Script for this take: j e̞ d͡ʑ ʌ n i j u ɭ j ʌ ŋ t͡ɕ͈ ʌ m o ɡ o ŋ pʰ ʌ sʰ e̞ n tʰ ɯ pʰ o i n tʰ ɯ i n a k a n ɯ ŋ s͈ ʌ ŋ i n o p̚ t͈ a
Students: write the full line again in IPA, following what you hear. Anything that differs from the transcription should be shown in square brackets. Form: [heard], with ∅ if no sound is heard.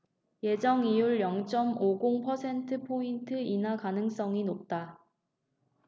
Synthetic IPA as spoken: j e̞ d͡ʑ ʌ [ŋ] i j u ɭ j ʌ ŋ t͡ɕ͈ ʌ m o ɡ o ŋ pʰ ʌ sʰ e̞ n tʰ ɯ pʰ o i n tʰ ɯ i n a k a n ɯ ŋ s͈ ʌ ŋ i n o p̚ t͈ a